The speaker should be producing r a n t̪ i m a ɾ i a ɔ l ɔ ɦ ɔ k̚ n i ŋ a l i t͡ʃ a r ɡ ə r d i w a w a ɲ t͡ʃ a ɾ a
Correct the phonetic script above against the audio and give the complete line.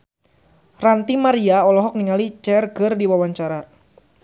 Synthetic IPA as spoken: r a n t̪ i m a ɾ i a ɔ l ɔ ɦ ɔ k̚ n i ŋ a l i t͡ʃ ɛ r ɡ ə r d i w a w a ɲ t͡ʃ a ɾ a